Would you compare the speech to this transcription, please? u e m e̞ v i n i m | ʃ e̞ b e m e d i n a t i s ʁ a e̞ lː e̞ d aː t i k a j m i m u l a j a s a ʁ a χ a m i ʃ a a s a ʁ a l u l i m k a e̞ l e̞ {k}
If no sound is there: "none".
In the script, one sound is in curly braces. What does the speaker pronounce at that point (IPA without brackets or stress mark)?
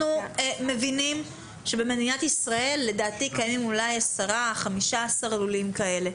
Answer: none